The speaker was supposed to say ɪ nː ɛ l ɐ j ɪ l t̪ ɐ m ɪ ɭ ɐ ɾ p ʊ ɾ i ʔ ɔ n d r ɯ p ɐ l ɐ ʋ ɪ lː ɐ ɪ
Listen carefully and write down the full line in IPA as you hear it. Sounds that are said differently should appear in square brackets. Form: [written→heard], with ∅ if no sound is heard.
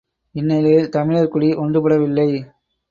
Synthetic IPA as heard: ɪ nː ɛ l ɐ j ɪ l t̪ ɐ m ɪ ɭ ɐ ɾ [p→k] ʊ [ɾ→ɽ] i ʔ ɔ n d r ɯ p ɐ [l→ɽ] ɐ ʋ ɪ lː ɐ ɪ